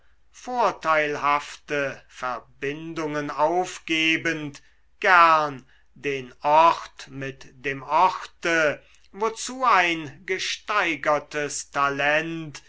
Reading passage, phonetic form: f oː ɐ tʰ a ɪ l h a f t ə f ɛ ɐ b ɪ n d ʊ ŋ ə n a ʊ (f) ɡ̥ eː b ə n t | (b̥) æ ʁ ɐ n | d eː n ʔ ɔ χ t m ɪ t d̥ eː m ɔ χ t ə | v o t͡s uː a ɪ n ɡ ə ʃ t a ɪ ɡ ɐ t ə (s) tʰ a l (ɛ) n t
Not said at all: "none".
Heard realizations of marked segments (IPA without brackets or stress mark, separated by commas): f, ɡ̥, s, ɛ